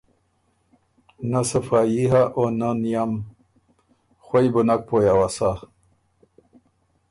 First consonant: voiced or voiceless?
voiced